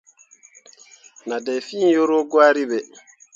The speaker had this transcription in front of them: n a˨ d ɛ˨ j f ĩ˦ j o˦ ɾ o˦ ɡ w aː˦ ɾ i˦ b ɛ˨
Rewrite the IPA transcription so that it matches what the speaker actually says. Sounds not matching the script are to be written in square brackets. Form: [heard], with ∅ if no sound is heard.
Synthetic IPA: n a˨ d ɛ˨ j f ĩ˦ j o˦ ɾ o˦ ɡ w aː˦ ɾ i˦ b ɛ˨